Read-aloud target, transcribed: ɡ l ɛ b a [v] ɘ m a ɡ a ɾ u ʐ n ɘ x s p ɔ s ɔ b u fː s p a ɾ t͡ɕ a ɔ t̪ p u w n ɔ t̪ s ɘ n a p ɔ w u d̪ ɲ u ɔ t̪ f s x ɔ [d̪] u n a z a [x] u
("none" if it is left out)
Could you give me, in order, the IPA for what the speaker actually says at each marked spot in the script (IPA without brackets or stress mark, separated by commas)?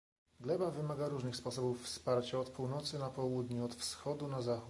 v, d̪, x